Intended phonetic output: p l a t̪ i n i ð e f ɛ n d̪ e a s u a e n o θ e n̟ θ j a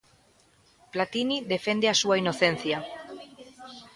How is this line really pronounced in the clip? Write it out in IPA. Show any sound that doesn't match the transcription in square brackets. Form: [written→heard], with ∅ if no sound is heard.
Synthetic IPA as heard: p l a t̪ i n i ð e f [ɛ→e] n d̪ e a s u a [e→i] n o θ e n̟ θ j a